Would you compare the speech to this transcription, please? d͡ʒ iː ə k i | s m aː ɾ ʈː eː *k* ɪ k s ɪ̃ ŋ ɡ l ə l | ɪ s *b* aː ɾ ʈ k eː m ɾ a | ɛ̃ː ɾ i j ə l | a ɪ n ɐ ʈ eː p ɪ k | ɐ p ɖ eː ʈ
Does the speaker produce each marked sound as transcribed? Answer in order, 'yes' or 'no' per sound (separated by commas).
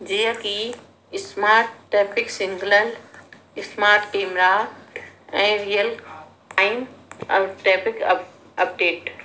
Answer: no, no